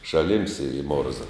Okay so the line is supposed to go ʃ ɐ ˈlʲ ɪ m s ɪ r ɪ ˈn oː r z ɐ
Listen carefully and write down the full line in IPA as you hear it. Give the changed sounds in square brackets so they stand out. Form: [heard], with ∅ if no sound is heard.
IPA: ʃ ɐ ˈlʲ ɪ m s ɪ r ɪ [ˈm] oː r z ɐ